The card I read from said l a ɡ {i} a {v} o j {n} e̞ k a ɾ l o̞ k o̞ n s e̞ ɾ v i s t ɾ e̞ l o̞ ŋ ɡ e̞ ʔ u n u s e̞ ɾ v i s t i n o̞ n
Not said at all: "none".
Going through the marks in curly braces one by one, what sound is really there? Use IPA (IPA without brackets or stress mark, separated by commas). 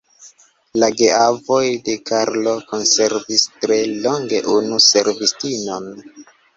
e, v, d